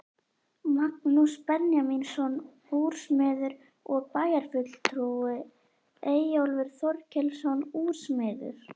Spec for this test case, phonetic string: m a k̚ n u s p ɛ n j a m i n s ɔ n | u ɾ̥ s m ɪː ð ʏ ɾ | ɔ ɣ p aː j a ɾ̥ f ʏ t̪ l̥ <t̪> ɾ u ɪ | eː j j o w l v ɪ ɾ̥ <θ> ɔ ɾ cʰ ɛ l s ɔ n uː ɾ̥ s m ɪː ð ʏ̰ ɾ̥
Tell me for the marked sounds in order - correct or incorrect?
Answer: incorrect: t̪ʰ, correct

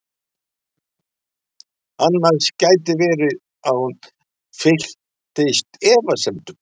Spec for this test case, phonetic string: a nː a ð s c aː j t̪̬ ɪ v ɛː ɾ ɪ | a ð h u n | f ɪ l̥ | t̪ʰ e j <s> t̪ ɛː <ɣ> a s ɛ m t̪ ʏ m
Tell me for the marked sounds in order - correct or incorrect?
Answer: correct, incorrect: v

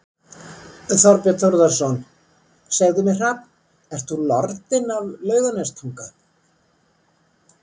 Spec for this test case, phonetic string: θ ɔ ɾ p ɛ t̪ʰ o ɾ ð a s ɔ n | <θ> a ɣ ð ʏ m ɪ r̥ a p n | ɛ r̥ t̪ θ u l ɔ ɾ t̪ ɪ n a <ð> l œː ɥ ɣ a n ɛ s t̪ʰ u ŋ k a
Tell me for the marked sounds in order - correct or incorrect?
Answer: incorrect: s, incorrect: v

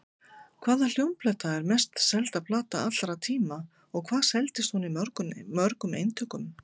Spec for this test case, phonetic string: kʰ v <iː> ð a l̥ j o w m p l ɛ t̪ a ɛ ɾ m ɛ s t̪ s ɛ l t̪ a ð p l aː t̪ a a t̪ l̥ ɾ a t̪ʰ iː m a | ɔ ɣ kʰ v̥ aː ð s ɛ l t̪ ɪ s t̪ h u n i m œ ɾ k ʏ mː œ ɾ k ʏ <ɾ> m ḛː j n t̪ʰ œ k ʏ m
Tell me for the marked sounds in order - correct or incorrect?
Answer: incorrect: aː, incorrect: none

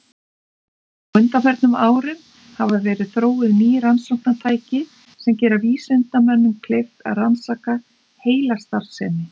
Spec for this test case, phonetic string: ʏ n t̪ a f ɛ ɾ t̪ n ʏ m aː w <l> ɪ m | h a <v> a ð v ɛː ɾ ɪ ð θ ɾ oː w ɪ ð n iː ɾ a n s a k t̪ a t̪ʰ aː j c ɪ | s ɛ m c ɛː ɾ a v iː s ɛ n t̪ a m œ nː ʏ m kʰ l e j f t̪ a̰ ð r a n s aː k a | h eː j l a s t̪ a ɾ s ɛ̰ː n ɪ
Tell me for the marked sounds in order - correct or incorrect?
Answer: incorrect: ɾ, correct

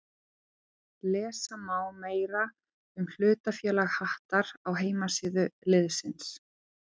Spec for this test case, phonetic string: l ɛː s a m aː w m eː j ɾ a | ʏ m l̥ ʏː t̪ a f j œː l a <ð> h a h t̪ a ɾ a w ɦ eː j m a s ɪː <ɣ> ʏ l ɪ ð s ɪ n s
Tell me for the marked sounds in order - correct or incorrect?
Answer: incorrect: ɣ, incorrect: ð

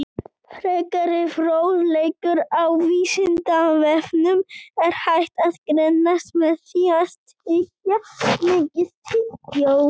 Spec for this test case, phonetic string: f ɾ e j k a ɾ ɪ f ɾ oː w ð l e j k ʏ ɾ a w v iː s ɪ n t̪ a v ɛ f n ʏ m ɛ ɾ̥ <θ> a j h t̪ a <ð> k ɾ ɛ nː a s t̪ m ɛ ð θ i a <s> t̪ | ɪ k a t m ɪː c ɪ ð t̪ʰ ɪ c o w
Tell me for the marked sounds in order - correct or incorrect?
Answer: incorrect: h, correct, correct

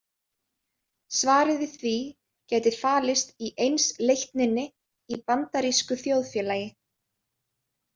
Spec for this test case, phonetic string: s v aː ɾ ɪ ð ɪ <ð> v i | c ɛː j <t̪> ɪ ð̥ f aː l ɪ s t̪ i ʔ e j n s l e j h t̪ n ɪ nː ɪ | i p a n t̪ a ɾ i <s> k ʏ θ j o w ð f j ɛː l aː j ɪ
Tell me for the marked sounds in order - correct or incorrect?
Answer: incorrect: θ, correct, correct

